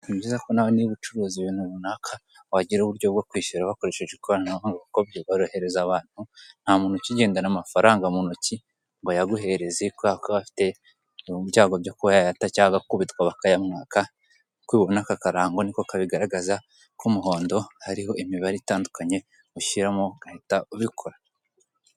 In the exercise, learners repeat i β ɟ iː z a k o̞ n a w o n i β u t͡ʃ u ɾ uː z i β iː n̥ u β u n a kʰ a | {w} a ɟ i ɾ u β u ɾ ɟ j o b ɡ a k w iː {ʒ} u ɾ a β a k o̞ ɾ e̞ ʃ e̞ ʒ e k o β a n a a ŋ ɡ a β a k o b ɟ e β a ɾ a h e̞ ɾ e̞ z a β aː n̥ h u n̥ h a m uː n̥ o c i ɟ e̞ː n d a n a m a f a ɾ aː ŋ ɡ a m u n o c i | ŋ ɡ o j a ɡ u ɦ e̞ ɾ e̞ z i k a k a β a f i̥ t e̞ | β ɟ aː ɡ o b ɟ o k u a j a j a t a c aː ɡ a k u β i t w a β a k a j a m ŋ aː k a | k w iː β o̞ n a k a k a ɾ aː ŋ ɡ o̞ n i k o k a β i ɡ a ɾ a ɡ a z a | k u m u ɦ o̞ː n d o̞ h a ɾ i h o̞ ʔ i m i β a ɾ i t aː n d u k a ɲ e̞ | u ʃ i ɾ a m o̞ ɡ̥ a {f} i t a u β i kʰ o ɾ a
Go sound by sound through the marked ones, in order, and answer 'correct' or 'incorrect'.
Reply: correct, incorrect: ʃ, incorrect: h

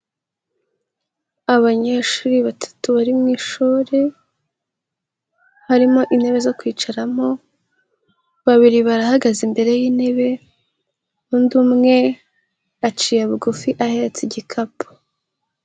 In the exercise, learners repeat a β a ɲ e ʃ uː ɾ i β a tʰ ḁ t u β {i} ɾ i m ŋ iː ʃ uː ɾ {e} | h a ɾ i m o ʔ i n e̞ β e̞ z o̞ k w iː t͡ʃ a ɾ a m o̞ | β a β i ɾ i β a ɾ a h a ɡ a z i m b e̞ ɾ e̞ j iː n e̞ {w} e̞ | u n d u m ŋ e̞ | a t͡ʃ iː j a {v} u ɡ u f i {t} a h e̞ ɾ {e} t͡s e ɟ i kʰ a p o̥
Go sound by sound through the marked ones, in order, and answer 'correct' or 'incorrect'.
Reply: incorrect: a, correct, incorrect: β, incorrect: β, incorrect: ʔ, correct

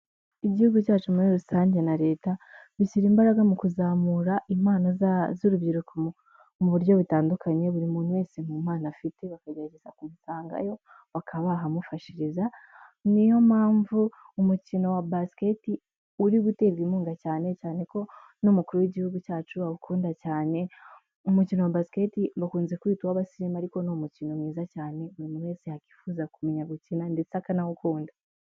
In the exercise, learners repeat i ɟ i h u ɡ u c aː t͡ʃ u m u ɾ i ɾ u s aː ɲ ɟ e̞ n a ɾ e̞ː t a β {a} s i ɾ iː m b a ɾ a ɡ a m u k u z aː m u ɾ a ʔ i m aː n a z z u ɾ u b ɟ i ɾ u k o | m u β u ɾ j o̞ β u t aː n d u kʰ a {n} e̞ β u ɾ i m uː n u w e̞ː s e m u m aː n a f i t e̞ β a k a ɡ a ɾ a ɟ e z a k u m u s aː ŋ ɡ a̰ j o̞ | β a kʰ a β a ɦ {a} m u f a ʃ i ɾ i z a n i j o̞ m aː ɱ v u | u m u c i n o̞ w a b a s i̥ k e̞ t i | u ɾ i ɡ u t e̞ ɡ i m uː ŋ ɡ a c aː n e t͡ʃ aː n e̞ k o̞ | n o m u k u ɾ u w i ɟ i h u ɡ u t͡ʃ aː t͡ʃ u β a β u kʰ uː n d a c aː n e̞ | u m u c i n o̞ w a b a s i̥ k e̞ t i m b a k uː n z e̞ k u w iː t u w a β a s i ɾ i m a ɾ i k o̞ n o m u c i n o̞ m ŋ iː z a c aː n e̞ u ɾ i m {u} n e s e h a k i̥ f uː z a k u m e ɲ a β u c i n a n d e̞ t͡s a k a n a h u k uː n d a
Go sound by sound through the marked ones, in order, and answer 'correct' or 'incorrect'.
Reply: incorrect: i, incorrect: ɲ, correct, correct

